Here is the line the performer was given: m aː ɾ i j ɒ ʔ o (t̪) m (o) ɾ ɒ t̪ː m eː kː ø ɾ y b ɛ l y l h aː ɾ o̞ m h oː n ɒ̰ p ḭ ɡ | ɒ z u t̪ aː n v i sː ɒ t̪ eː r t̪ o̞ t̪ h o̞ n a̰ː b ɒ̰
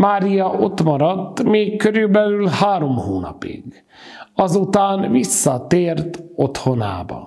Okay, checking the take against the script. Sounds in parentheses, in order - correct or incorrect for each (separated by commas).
correct, incorrect